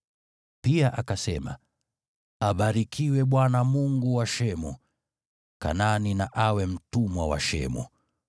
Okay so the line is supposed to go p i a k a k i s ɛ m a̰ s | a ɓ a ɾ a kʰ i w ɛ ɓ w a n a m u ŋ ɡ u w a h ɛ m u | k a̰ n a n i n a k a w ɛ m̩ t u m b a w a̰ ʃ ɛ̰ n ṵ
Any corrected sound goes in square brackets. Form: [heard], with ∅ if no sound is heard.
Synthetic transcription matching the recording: p i a [ʔ] a k [a] s ɛ m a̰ [∅] | a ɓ a ɾ [i] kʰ i w ɛ ɓ w a n a m u ŋ ɡ u w a [ʃ] ɛ m u | k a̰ n a n i n a [ʔ] a w ɛ m̩ t u m [w] a w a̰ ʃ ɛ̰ [m] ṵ